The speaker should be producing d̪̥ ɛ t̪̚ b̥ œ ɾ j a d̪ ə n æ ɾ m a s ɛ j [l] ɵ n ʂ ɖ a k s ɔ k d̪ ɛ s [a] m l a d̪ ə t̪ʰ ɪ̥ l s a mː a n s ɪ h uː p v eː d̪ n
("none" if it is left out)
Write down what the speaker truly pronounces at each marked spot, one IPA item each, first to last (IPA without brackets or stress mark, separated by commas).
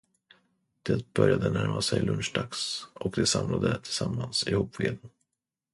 l, a